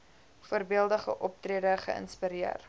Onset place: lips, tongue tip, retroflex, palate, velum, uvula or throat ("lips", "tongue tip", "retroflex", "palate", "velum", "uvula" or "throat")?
lips